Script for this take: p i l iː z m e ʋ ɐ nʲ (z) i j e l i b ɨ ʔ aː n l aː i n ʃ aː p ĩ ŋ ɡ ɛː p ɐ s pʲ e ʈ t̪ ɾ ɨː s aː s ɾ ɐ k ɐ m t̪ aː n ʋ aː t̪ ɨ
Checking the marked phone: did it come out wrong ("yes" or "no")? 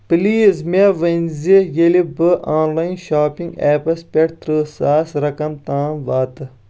no